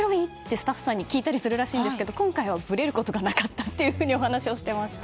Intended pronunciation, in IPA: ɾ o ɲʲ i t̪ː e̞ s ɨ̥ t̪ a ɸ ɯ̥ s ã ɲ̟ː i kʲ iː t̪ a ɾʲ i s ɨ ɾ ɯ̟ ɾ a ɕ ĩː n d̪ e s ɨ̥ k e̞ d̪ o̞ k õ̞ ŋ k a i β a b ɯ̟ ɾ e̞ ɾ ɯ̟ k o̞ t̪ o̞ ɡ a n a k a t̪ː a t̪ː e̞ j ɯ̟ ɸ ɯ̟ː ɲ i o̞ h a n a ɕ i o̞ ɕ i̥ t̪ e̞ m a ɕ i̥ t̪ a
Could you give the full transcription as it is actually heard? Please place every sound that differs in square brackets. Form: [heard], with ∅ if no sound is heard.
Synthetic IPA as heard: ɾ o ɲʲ i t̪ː e̞ s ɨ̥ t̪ a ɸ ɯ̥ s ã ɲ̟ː i kʲ iː t̪ a ɾʲ i s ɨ ɾ ɯ̟ ɾ a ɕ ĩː n d̪ e s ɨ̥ k e̞ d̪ o̞ k õ̞ ŋ k a i β a b ɯ̟ ɾ e̞ ɾ ɯ̟ k o̞ t̪ o̞ ɡ a n a k a t̪ː a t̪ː e̞ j ɯ̟ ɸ ɯ̟ː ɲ i o̞ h a n a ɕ i o̞ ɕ i̥ t̪ e̞ m a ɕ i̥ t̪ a